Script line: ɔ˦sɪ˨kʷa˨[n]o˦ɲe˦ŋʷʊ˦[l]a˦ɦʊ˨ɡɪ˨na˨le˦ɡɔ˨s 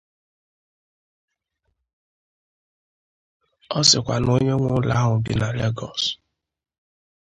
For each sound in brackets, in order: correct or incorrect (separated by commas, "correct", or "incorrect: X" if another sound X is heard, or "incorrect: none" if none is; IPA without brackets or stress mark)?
correct, correct